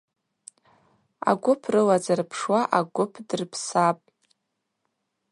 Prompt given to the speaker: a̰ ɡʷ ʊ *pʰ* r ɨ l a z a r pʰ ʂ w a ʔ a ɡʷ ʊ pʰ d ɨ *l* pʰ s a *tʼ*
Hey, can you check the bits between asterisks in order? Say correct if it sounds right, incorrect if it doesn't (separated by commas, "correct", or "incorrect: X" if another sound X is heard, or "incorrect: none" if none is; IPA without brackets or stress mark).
correct, incorrect: r, incorrect: pʼ